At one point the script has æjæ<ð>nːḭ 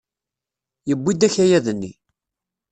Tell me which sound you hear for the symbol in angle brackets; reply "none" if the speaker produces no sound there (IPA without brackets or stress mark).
ð